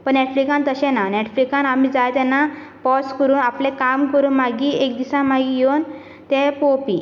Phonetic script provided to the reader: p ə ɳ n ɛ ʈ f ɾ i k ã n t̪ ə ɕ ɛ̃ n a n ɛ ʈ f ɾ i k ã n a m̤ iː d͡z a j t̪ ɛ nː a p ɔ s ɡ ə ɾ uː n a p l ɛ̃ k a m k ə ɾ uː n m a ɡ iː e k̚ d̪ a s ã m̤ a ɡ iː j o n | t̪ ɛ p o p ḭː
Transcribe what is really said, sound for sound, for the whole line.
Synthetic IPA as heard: p ə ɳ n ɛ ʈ f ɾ i k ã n t̪ ə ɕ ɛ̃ n a n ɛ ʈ f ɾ i k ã n a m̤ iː d͡z a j t̪ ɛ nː a p ɔ s k ə ɾ uː n a p l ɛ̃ k a m k ə ɾ uː n m a ɡ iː e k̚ d̪ i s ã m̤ a ɡ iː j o n | t̪ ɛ p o p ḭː